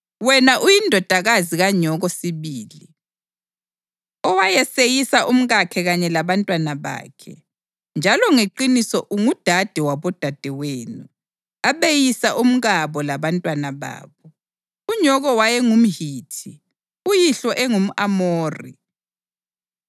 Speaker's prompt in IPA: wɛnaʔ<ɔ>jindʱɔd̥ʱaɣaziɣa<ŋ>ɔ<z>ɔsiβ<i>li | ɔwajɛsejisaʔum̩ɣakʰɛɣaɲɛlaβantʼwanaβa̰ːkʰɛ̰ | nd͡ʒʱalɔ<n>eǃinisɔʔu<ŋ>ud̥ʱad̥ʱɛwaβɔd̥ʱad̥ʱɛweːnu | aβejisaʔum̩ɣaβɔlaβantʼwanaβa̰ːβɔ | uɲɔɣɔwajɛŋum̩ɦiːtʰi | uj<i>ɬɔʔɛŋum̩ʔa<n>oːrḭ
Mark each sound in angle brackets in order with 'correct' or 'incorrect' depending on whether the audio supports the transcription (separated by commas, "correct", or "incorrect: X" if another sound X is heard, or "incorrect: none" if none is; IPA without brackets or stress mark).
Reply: incorrect: u, incorrect: ɲ, incorrect: ɣ, incorrect: iː, incorrect: ŋ, correct, correct, incorrect: m